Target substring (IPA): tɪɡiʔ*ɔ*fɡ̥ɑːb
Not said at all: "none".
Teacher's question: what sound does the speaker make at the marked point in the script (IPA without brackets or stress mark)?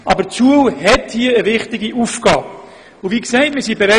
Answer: u